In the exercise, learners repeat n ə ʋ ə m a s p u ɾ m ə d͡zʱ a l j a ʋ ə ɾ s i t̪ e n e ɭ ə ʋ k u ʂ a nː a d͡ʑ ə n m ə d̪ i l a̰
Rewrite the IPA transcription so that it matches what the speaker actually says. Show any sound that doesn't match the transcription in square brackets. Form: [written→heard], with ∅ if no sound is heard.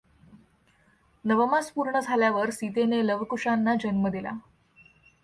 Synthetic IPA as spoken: n ə ʋ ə m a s p u ɾ [m→ɳ] ə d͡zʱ a l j a ʋ ə ɾ s i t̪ e n e [ɭ→l] ə ʋ k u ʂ a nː a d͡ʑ ə n m ə d̪ i l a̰